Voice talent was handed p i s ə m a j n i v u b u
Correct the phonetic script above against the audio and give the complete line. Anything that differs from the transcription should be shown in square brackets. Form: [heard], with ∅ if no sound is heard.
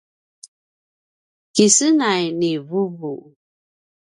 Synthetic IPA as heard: [k] i s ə [n] a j n i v u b u